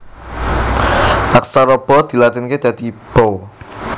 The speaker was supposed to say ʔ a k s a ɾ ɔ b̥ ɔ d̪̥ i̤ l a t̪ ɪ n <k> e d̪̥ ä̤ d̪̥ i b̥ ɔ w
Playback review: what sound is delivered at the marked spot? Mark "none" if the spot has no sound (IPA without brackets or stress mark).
k